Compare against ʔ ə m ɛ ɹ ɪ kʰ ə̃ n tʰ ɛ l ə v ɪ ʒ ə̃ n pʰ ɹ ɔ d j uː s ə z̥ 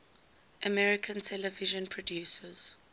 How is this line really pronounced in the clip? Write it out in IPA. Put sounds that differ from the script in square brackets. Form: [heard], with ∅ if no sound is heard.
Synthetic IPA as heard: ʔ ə m ɛ ɹ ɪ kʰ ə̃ n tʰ ɛ l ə v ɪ ʒ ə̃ n pʰ ɹ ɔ d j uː s ə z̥